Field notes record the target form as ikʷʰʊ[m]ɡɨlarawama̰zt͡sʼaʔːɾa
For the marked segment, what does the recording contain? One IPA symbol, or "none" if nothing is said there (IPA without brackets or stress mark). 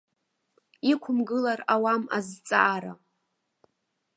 m